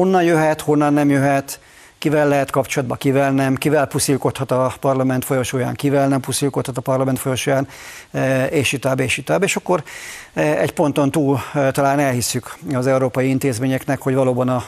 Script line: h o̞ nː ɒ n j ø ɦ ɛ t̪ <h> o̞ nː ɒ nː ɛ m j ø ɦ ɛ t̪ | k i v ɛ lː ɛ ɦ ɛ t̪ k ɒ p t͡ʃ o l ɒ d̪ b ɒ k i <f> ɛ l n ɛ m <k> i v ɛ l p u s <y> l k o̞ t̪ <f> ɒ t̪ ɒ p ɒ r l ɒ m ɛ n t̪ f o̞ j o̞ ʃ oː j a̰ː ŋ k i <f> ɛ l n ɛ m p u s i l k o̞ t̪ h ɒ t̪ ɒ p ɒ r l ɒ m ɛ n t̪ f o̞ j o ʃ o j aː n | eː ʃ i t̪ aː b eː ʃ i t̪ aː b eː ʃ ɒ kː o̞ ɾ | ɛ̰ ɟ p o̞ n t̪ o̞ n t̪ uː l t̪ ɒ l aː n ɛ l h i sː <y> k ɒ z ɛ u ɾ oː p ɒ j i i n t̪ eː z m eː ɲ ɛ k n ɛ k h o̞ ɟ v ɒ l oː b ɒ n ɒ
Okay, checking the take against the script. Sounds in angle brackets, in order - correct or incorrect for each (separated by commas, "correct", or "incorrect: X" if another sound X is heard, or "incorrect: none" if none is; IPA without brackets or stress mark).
correct, incorrect: v, correct, incorrect: i, incorrect: h, incorrect: v, correct